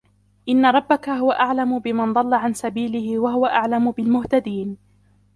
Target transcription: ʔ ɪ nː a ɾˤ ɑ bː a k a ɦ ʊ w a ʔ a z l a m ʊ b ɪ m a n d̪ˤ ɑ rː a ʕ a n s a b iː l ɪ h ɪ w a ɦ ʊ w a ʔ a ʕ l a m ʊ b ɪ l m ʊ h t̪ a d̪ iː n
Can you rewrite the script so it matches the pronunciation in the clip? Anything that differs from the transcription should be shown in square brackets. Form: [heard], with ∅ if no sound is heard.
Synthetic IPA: ʔ ɪ nː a ɾˤ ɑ bː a k a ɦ ʊ w a ʔ a [ʕ] l a m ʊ b ɪ m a n d̪ˤ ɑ [lː] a ʕ a n s a b iː l ɪ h ɪ w a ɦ ʊ w a ʔ a ʕ l a m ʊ b ɪ l m ʊ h t̪ a d̪ iː n